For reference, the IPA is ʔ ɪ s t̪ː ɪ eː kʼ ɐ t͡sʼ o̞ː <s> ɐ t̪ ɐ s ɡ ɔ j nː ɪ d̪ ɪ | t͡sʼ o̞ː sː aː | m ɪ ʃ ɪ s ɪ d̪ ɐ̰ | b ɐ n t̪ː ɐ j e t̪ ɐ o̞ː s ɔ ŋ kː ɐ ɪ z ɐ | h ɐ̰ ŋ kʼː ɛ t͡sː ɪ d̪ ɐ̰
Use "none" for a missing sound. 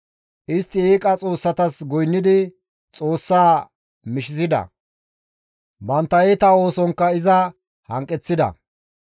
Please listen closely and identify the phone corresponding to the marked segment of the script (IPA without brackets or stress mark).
sː